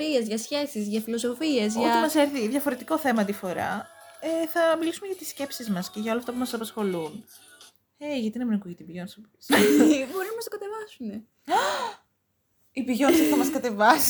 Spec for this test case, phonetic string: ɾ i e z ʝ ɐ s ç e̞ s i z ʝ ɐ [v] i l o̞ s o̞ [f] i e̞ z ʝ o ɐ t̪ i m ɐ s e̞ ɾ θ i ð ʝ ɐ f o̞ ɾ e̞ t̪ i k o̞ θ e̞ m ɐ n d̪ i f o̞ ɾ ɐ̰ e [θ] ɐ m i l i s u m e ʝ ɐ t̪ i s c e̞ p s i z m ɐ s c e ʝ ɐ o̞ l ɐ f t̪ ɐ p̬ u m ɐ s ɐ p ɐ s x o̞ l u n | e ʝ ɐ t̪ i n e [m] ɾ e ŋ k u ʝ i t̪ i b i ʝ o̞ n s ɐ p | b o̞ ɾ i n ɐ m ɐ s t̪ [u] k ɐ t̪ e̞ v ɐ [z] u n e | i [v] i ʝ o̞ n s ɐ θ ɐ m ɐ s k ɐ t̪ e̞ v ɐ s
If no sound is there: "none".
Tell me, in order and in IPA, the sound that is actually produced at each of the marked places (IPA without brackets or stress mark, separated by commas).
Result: f, f, θ, m, o, s, b